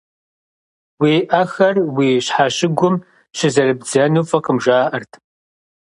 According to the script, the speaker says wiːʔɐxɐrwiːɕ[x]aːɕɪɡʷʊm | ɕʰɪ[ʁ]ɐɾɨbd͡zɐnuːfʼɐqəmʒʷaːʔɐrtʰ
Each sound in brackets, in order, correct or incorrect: incorrect: ħ, incorrect: z

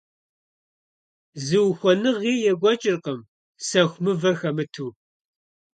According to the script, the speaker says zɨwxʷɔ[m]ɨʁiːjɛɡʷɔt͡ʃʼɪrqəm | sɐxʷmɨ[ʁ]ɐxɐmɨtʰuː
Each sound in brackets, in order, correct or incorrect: incorrect: n, incorrect: v

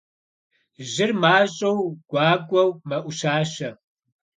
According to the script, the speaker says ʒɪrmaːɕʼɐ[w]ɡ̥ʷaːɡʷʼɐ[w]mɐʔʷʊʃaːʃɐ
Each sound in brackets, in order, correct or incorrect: correct, correct

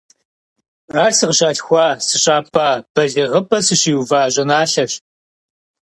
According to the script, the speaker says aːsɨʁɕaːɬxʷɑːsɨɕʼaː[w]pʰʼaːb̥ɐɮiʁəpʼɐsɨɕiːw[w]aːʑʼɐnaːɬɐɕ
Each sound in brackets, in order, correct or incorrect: incorrect: none, incorrect: v

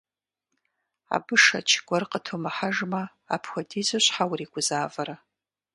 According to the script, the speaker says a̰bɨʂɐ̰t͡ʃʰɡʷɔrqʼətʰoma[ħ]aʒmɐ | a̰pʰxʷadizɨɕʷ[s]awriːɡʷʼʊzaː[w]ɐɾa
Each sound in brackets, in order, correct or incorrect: correct, incorrect: ħ, incorrect: v

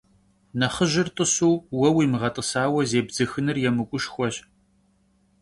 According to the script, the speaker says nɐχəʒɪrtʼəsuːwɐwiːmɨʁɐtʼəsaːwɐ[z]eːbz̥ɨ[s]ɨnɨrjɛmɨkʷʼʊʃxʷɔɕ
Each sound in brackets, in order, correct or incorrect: correct, incorrect: x

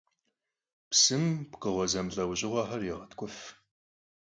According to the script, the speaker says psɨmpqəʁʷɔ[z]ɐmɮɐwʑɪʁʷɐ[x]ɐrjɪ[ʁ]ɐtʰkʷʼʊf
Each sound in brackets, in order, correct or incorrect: correct, incorrect: ħ, correct

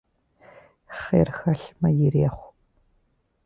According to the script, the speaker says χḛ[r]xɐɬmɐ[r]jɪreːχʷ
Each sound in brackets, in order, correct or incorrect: correct, incorrect: none

